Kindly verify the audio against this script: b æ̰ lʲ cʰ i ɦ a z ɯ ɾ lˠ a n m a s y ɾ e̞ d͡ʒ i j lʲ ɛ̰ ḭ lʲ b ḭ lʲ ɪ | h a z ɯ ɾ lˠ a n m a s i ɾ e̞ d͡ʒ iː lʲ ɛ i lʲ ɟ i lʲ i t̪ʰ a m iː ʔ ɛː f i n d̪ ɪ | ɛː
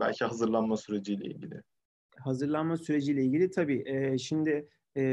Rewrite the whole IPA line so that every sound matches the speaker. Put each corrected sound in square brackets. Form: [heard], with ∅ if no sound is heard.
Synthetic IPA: b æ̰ lʲ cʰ i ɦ a z ɯ ɾ lˠ a n m a s y ɾ e̞ d͡ʒ i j lʲ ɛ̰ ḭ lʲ [ɟ] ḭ lʲ ɪ | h a z ɯ ɾ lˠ a n m a s [y] ɾ e̞ d͡ʒ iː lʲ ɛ i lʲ ɟ i lʲ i t̪ʰ a [b] iː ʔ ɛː [ʃ] i [m] d̪ ɪ | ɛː